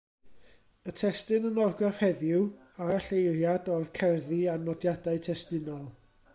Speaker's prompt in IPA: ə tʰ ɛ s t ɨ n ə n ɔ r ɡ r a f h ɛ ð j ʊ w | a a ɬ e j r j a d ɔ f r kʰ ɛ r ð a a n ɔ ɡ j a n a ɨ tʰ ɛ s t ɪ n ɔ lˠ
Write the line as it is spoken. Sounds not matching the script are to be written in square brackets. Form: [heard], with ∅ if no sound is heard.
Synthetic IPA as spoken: ə tʰ ɛ s t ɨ n ə n ɔ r ɡ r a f h ɛ ð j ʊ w | a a ɬ e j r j a d ɔ [∅] r kʰ ɛ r ð [i] a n ɔ [d] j a [d] a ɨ tʰ ɛ s t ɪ n ɔ lˠ